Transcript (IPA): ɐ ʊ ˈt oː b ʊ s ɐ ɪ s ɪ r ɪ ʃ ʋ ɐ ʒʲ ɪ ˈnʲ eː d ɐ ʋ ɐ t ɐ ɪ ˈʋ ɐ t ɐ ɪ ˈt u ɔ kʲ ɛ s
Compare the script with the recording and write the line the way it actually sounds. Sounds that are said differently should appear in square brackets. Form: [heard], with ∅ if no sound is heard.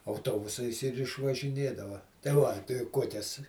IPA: ɐ ʊ ˈt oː b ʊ s ɐ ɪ s ɪ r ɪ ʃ ʋ ɐ ʒʲ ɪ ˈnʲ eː d ɐ ʋ ɐ t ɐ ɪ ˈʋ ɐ t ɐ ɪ [ˈk] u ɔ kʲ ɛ s